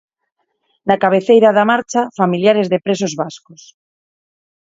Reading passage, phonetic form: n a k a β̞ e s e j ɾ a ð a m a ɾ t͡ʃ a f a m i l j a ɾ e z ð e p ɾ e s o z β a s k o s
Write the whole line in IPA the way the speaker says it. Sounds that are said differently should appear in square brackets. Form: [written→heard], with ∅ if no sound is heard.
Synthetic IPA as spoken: n a k a β̞ e [s→θ] e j ɾ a ð a m a ɾ t͡ʃ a f a m i l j a ɾ e z ð e p ɾ e s o z β a s k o s